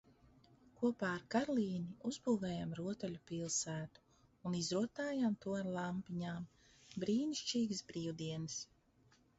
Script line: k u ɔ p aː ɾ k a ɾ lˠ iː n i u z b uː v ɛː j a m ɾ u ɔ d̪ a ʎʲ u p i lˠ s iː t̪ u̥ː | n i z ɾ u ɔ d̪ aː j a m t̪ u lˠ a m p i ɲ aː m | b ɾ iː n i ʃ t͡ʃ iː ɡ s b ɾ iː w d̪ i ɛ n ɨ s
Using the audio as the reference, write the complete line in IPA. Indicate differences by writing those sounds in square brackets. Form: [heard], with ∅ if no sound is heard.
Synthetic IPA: k u ɔ p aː ɾ k a ɾ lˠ iː n i u z b uː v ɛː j a m ɾ u ɔ [t̪] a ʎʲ u p i lˠ s [æː] t̪ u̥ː | n i z ɾ u ɔ [t̪] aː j a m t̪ u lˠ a m p i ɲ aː m | b ɾ iː n i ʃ t͡ʃ iː ɡ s b ɾ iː w d̪ i ɛ n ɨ s

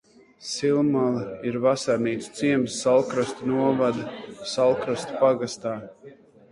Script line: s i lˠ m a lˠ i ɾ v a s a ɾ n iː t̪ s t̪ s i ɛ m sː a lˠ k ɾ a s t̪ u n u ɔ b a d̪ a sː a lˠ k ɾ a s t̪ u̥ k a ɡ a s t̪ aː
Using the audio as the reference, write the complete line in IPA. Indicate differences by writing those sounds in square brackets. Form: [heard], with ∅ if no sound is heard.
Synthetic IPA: s i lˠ m a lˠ i ɾ v a s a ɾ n iː t̪ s t̪ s i ɛ m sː a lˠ k ɾ a s t̪ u n u ɔ [v] a d̪ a [s] a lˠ k ɾ a s t̪ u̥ [p] a ɡ a s t̪ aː

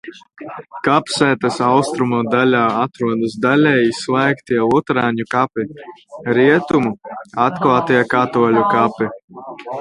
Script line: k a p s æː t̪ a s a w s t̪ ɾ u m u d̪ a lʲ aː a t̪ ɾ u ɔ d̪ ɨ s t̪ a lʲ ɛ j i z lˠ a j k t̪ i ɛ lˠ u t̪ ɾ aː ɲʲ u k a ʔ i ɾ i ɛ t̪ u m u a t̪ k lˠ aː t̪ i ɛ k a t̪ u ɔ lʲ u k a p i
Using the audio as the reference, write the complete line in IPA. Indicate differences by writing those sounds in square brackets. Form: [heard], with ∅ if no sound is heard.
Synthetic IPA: k a p s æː t̪ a s a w s t̪ ɾ u m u d̪ a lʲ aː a t̪ ɾ u ɔ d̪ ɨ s [d̪] a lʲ ɛ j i [s] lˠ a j k t̪ i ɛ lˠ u t̪ ɾ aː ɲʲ u k a [p] i ɾ i ɛ t̪ u m u a t̪ k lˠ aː t̪ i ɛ k a t̪ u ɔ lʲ u k a p i

